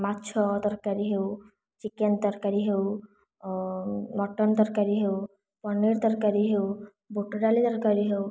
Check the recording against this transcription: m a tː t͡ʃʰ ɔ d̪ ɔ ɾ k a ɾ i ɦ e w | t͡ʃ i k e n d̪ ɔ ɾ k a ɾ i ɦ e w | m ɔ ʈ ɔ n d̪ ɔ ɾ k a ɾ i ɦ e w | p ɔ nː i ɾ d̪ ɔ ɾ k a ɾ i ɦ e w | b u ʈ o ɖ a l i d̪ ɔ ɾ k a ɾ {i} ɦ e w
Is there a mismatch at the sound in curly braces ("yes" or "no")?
no